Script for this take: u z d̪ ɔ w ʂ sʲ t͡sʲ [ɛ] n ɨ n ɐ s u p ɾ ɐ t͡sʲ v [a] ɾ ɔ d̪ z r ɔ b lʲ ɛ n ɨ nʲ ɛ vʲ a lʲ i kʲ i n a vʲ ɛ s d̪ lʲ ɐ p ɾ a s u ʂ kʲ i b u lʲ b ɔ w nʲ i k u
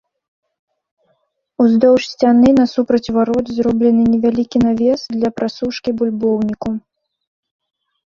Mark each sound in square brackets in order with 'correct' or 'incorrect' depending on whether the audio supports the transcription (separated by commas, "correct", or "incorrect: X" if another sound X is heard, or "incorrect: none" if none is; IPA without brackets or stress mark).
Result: incorrect: a, correct